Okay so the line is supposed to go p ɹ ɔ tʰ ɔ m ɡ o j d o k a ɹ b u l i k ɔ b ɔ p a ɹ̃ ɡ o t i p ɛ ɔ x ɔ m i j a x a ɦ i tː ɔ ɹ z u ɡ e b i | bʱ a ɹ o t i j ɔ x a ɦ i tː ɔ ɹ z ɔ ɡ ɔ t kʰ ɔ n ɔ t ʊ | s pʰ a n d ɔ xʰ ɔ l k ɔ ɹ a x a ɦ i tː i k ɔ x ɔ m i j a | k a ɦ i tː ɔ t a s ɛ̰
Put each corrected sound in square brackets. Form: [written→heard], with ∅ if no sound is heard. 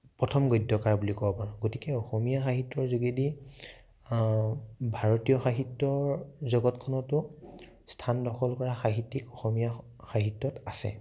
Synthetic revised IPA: p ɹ ɔ tʰ ɔ m ɡ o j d [o→ɔ] k a ɹ b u l i k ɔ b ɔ p a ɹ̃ ɡ o t i [p→k] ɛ ɔ x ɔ m i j a x a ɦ i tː ɔ ɹ z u ɡ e [b→d] i | bʱ a ɹ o t i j ɔ x a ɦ i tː ɔ ɹ z ɔ ɡ ɔ t kʰ ɔ n ɔ t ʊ | s [pʰ→tʰ] a n d ɔ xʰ ɔ l k ɔ ɹ a x a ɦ i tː i k ɔ x ɔ m i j a | [k→x] a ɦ i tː ɔ t a s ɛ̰